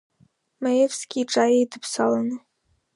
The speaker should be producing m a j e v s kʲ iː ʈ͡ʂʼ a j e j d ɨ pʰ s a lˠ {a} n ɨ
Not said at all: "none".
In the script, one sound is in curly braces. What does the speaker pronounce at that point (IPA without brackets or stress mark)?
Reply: a